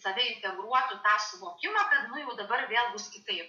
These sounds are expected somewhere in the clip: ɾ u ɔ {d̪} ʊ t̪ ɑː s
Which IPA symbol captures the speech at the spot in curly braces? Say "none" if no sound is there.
t̪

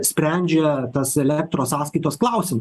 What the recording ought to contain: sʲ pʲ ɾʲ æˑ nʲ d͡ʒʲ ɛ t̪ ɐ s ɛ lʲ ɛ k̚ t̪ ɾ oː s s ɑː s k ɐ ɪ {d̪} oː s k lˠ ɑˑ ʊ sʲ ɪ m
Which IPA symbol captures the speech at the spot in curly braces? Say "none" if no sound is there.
t̪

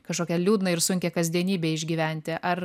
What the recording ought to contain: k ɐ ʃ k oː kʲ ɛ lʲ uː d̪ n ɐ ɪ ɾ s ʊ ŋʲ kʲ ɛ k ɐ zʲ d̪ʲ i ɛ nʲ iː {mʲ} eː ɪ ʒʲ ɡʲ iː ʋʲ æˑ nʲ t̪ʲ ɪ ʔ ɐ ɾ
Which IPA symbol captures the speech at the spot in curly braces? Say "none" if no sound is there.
bʲ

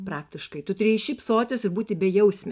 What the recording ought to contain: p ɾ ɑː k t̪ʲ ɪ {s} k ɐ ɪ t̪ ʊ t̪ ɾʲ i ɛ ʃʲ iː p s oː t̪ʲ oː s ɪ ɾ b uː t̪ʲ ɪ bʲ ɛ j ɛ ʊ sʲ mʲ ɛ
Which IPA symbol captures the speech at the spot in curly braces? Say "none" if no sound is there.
ʃ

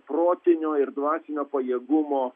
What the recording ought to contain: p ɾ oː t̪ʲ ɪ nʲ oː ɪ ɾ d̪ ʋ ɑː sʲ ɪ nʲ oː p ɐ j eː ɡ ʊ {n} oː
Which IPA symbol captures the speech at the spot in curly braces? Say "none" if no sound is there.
m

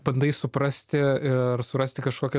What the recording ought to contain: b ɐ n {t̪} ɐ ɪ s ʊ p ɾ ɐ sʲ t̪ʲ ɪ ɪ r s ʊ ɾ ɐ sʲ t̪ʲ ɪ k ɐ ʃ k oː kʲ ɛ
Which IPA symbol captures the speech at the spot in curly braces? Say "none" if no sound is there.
d̪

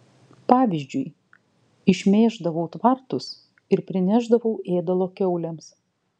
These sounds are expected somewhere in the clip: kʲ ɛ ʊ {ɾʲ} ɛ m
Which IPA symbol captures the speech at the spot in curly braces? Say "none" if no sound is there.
lʲ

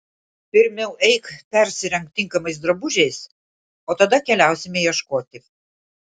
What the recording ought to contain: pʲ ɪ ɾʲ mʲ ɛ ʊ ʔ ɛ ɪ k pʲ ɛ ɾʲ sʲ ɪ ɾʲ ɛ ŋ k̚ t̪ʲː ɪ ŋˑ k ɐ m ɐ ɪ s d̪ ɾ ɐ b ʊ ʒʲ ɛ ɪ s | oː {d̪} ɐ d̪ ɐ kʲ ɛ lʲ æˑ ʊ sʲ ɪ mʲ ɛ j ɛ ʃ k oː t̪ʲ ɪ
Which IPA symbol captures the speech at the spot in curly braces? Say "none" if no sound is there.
t̪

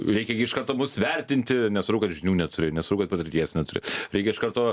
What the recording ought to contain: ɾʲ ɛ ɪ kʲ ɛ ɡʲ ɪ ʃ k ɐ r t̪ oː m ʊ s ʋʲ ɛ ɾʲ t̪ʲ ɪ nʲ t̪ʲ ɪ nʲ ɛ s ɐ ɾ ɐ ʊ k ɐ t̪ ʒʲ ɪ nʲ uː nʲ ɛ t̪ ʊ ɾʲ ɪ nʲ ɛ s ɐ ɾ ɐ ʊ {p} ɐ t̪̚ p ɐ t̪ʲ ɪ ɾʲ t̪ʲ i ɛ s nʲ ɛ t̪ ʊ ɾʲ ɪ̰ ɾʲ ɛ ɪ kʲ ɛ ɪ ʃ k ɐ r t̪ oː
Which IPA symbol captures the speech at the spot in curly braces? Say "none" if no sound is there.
k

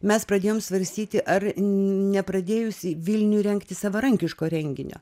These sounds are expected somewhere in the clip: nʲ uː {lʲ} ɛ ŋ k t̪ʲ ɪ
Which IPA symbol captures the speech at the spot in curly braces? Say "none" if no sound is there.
ɾʲ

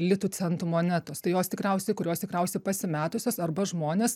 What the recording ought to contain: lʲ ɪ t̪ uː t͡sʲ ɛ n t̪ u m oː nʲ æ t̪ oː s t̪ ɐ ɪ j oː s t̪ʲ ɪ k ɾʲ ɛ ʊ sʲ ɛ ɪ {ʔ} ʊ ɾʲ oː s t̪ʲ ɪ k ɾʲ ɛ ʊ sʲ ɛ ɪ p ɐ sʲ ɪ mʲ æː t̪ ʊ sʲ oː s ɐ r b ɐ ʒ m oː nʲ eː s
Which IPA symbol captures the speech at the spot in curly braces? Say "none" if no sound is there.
k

